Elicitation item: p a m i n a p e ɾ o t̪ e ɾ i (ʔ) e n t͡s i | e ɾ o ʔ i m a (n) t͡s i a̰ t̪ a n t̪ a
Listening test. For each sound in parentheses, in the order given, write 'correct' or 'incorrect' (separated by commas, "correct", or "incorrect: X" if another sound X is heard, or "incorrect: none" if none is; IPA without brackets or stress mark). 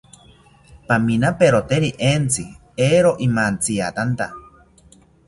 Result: correct, correct